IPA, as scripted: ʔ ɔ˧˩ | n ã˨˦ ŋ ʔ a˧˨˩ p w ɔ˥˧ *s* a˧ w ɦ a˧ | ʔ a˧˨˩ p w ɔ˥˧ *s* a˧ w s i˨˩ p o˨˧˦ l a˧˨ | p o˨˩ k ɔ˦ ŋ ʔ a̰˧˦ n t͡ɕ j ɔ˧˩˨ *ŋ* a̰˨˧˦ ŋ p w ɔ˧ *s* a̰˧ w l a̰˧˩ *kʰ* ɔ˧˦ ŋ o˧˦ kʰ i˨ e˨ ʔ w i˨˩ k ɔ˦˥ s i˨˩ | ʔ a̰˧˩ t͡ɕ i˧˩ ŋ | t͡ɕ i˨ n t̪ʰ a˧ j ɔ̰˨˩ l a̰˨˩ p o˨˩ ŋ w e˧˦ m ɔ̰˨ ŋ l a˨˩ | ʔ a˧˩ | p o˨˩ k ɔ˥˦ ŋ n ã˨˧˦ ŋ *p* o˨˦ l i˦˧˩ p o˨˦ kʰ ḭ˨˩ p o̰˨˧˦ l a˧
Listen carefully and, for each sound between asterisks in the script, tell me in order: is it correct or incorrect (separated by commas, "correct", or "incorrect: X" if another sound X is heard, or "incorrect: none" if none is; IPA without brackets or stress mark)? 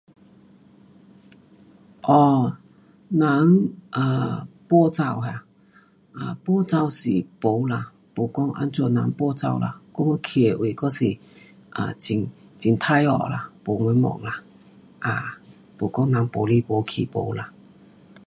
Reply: incorrect: t͡s, incorrect: t͡s, incorrect: n, incorrect: t͡s, incorrect: k, correct